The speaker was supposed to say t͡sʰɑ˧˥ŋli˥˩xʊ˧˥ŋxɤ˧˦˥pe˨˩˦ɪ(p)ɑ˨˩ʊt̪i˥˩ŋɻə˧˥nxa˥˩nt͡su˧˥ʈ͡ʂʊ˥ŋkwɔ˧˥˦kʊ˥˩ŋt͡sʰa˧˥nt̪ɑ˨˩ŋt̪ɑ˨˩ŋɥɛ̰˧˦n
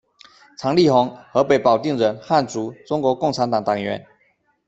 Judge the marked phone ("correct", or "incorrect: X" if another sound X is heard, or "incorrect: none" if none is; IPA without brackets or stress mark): correct